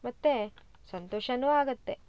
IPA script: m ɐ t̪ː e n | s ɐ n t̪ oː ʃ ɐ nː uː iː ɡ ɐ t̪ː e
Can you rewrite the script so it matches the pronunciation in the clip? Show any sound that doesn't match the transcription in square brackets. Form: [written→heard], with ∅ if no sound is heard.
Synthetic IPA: m ɐ t̪ː e [n→∅] | s ɐ n t̪ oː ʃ ɐ [nː→n] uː [iː→aː] ɡ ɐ t̪ː e